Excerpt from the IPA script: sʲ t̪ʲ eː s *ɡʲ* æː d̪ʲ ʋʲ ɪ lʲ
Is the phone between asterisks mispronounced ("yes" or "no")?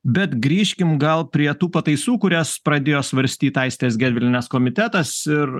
no